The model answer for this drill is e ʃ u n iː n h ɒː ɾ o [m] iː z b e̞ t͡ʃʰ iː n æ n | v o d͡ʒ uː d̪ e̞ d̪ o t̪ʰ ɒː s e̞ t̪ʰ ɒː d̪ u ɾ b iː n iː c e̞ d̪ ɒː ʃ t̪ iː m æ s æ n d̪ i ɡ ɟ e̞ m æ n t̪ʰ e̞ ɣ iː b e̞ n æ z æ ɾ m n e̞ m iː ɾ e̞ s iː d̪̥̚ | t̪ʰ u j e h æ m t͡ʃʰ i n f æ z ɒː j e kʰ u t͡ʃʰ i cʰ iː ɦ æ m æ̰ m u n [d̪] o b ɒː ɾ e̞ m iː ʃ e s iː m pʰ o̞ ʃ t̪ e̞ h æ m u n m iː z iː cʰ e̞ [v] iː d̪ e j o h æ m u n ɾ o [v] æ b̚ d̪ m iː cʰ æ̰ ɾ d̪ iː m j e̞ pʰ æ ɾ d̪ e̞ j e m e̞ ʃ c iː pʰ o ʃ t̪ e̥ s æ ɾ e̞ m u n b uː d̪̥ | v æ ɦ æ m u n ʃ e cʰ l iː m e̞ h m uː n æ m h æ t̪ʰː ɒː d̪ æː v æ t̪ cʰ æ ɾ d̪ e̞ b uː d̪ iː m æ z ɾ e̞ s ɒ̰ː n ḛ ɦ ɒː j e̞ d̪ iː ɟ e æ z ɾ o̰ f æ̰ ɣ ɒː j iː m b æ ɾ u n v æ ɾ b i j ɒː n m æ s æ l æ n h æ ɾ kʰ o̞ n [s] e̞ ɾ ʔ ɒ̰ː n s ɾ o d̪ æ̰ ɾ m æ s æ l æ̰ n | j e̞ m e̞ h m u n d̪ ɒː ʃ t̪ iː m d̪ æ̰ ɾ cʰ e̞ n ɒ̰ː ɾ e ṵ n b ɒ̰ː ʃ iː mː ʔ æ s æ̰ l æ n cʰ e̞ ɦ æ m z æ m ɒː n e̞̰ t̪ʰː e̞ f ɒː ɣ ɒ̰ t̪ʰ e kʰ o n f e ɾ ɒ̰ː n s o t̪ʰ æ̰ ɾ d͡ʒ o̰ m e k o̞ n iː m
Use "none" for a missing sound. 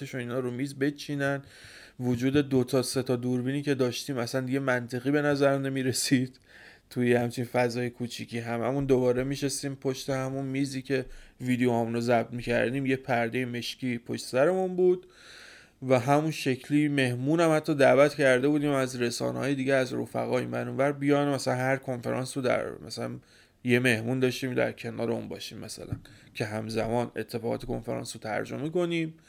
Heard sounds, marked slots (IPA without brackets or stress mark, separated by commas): m, d̪, v, z, f